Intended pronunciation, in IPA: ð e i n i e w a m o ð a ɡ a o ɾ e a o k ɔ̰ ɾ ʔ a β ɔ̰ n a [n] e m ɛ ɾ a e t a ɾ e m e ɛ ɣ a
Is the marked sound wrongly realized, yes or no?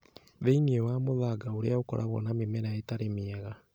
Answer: yes